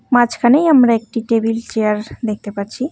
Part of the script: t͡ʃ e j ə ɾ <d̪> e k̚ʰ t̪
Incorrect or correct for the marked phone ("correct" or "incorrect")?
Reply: correct